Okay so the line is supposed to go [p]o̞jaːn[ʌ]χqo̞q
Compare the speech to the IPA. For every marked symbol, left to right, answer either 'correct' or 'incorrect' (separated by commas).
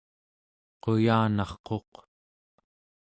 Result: incorrect, incorrect